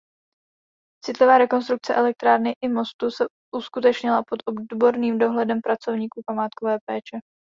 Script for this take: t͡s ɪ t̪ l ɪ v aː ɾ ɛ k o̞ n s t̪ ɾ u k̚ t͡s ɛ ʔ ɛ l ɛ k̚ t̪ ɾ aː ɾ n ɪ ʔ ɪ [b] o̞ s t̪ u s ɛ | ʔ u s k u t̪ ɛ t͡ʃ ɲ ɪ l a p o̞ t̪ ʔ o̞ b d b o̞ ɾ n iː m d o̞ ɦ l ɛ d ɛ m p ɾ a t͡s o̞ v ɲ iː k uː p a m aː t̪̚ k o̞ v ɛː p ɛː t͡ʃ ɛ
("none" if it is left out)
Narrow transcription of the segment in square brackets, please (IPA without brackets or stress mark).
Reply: m